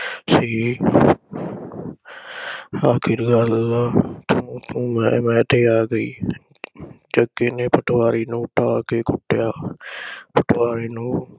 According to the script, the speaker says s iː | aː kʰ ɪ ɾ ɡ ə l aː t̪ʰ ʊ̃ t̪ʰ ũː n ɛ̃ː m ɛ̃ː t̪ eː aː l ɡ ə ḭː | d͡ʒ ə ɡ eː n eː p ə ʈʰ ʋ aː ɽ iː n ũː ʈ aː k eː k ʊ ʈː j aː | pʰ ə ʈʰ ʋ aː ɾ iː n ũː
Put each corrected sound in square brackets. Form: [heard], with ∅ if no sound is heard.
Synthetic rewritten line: s iː | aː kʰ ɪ ɾ ɡ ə l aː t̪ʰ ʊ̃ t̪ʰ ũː [m] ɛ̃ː m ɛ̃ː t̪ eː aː [∅] ɡ ə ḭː | d͡ʒ ə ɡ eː n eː p ə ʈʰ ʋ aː [ɾ] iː n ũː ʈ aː k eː k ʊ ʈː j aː | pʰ ə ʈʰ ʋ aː ɾ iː n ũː

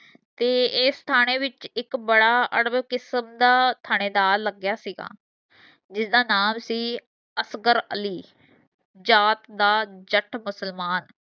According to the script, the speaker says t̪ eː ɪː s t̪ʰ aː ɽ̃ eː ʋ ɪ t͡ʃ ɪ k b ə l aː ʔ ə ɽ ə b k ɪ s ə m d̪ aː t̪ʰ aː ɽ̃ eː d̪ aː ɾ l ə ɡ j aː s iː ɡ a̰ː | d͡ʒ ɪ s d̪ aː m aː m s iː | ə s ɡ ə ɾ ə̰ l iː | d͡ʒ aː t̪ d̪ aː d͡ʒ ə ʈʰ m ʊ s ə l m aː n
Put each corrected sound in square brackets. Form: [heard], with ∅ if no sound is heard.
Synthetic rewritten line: t̪ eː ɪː s t̪ʰ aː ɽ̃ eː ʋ ɪ t͡ʃ ɪ k b ə [ɽ] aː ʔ ə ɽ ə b k ɪ s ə m d̪ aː t̪ʰ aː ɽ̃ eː d̪ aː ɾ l ə ɡ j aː s iː ɡ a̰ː | d͡ʒ ɪ s d̪ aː [n] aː m s iː | ə s ɡ ə ɾ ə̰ l iː | d͡ʒ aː t̪ d̪ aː d͡ʒ ə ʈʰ m ʊ s ə l m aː n

